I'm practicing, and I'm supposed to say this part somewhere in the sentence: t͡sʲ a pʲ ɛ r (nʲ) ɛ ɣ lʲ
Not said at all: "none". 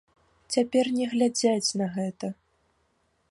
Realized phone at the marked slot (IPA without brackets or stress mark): nʲ